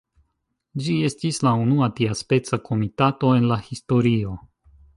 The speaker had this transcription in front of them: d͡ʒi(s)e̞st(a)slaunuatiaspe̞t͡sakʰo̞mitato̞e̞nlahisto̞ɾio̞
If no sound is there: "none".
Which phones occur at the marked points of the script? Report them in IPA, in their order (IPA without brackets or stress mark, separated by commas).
none, i